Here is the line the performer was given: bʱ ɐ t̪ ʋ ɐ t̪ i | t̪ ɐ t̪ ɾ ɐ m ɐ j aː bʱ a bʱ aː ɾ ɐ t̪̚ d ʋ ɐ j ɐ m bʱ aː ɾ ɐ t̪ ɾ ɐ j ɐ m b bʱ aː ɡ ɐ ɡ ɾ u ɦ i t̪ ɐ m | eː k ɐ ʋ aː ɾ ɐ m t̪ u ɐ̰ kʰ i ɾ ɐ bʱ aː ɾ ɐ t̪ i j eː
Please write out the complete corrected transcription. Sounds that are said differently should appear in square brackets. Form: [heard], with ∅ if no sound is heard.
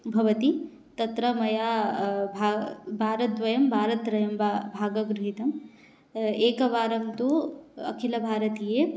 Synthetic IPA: bʱ ɐ [∅] ʋ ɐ t̪ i | t̪ ɐ t̪ ɾ ɐ m ɐ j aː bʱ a bʱ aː ɾ ɐ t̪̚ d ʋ ɐ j ɐ m bʱ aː ɾ ɐ t̪ ɾ ɐ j ɐ m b bʱ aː ɡ ɐ ɡ ɾ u ɦ i t̪ ɐ m | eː k ɐ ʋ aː ɾ ɐ m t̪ u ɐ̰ kʰ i [l] ɐ bʱ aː ɾ ɐ t̪ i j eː